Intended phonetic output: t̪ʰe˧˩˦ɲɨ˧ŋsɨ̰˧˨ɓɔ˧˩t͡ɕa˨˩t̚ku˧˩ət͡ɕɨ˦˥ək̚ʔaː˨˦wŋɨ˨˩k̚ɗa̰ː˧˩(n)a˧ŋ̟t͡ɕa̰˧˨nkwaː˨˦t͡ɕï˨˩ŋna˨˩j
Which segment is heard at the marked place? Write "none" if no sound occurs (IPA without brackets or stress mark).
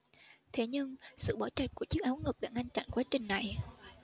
ŋ